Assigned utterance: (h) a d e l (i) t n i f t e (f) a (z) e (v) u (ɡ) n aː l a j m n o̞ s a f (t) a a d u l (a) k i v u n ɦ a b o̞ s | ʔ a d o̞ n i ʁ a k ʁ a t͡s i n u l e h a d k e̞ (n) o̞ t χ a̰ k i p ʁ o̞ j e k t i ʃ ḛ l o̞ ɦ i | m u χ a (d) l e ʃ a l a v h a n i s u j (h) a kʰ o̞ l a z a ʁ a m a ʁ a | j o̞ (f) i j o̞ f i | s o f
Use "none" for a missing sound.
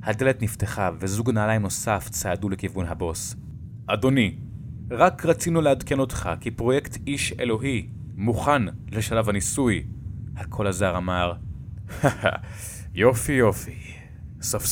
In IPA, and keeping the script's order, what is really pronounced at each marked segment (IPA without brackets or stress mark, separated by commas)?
h, e, χ, v, z, ɡ, t͡s, e, n, n, h, f